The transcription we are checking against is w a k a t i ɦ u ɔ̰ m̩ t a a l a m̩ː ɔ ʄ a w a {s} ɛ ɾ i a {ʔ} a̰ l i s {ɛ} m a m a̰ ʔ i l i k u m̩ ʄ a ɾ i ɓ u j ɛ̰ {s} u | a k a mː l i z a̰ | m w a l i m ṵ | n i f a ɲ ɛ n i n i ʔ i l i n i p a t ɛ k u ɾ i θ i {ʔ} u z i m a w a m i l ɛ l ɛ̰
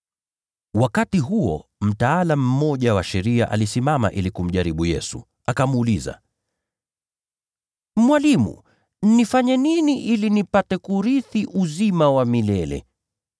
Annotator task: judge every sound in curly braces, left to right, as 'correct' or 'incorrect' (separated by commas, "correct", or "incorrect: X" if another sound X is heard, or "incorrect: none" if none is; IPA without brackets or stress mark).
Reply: incorrect: ʃ, correct, incorrect: i, correct, correct